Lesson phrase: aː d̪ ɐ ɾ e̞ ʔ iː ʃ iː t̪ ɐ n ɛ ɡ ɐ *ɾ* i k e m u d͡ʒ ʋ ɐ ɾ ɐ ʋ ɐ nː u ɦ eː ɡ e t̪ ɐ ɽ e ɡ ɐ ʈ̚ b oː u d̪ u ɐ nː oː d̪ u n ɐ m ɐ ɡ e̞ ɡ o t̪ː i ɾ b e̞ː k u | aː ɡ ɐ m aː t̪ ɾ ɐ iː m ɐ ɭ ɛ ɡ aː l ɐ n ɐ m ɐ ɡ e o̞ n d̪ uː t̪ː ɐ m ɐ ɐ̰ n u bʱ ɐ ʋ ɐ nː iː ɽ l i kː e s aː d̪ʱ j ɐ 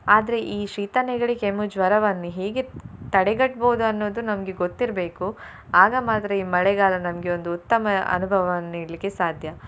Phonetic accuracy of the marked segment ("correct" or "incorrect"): incorrect